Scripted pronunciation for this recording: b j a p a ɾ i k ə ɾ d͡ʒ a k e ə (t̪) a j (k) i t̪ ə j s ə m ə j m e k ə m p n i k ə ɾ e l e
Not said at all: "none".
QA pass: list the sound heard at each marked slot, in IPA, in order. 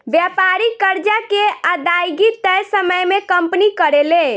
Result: d̪, ɡ

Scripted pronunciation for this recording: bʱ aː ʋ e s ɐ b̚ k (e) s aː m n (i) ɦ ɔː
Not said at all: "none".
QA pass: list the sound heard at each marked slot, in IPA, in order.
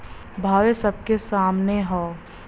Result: e, e

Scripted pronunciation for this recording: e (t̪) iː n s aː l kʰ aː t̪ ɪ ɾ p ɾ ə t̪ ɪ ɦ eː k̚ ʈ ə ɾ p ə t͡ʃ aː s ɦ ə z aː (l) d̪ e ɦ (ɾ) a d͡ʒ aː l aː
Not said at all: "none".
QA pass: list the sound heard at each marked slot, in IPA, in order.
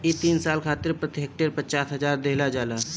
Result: t̪, ɾ, l

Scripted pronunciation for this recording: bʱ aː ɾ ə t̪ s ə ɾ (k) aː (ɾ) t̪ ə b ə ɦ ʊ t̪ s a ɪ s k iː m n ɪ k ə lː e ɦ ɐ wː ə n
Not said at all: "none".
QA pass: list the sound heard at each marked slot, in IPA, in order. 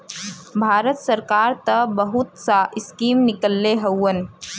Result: k, ɾ

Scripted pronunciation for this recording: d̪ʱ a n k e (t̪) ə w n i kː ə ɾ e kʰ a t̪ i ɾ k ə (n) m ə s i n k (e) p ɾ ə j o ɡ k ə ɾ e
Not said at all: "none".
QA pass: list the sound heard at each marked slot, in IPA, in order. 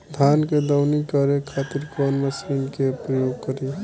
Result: d̪, n, e

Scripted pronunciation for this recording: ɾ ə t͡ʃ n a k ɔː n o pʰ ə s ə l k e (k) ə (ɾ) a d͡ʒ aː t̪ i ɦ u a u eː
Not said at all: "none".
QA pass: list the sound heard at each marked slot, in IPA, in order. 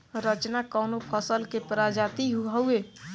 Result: p, ɾ

